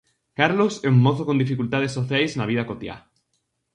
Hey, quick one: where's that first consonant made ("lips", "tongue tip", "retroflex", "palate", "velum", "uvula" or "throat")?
velum